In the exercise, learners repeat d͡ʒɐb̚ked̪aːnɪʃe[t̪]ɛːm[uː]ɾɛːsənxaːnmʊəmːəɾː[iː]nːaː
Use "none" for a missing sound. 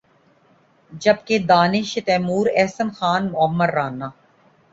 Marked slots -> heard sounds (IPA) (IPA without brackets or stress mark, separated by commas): t̪, uː, aː